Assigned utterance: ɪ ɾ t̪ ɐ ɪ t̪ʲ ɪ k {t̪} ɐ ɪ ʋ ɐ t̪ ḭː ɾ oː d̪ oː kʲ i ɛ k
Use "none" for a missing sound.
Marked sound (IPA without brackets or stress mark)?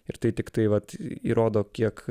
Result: t̪